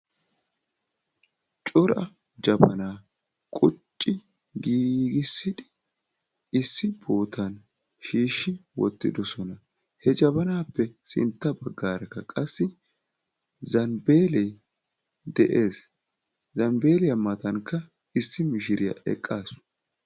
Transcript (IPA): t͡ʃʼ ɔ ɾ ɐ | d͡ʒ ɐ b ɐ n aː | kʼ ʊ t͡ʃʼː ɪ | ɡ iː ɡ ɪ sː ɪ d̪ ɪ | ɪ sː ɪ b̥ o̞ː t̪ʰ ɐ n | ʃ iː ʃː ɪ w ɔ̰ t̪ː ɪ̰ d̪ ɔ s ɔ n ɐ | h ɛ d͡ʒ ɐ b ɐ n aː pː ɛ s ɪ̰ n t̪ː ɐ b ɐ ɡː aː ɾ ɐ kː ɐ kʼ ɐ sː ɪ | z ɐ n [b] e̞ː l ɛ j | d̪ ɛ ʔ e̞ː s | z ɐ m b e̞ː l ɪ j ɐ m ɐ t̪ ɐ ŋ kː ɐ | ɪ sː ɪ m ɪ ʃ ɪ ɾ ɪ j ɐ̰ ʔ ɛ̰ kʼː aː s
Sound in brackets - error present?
no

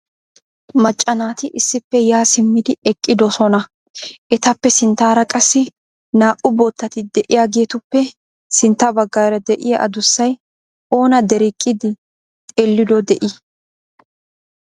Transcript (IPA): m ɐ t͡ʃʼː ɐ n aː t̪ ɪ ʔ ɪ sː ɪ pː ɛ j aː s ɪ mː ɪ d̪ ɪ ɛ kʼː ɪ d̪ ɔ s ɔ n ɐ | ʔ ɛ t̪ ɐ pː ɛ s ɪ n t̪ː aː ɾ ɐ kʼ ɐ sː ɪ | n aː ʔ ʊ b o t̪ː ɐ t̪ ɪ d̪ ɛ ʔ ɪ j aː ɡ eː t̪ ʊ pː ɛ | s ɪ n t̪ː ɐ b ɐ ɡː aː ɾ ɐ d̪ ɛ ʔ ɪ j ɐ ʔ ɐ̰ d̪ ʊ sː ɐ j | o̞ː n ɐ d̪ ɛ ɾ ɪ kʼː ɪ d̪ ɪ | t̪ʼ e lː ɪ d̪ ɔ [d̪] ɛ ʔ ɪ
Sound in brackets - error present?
no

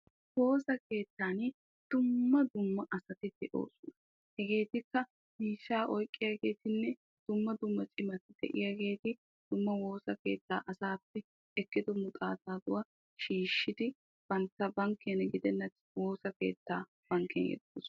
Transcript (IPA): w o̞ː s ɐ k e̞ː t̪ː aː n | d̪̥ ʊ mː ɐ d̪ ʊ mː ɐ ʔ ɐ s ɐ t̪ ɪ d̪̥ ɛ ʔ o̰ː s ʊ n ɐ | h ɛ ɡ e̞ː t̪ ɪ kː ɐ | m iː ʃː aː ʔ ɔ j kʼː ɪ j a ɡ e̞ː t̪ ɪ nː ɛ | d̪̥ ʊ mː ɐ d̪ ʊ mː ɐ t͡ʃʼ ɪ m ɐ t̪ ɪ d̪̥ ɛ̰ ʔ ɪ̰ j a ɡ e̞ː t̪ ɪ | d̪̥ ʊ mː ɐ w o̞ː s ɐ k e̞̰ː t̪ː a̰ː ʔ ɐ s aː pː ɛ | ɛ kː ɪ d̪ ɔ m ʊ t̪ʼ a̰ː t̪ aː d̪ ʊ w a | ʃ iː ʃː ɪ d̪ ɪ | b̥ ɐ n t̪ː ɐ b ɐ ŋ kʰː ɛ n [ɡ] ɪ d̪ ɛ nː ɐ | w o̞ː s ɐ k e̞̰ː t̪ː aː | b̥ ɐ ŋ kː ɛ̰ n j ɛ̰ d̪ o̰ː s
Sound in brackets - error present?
no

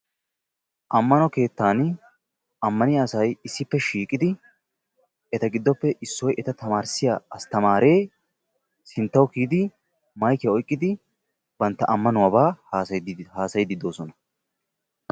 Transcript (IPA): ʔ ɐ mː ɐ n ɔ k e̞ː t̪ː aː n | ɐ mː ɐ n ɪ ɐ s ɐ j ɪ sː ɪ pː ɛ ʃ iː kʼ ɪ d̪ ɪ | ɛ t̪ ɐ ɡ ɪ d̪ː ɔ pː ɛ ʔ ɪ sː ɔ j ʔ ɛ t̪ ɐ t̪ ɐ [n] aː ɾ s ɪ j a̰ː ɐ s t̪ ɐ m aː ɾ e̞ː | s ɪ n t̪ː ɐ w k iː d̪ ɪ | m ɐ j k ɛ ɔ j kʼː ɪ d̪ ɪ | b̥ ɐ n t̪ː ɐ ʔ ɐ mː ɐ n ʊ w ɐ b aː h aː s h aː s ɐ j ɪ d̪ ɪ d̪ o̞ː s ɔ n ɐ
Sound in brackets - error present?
yes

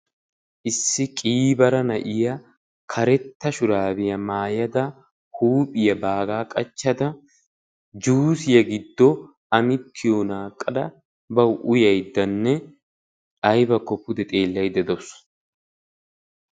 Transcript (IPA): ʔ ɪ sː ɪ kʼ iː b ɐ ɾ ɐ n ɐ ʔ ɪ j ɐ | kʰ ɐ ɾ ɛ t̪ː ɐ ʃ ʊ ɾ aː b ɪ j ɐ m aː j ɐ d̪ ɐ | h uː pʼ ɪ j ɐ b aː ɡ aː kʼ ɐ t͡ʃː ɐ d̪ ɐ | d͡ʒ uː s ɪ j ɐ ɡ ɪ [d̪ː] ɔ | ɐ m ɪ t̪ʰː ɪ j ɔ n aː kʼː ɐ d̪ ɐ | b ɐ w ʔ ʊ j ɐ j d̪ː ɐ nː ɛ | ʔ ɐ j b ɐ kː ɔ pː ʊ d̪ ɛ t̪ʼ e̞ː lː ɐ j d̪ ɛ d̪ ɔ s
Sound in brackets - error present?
no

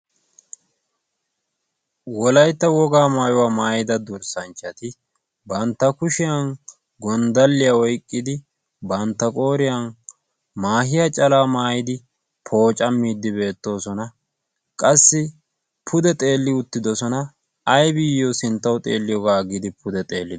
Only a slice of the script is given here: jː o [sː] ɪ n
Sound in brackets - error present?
yes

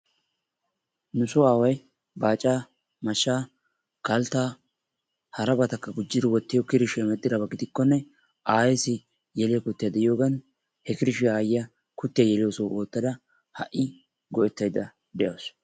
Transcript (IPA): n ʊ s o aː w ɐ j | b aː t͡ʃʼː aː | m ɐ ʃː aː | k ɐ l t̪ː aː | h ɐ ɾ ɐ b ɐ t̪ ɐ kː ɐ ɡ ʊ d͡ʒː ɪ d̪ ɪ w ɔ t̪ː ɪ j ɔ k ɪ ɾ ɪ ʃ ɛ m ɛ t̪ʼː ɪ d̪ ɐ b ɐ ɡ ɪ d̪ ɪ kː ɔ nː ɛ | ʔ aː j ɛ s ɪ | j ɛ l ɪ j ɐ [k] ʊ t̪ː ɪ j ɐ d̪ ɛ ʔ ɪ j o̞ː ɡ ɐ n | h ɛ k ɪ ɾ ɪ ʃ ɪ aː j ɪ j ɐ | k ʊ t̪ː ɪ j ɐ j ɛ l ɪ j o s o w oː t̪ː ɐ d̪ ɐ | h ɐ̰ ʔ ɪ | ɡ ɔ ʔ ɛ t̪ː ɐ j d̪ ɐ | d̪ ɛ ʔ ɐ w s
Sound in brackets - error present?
no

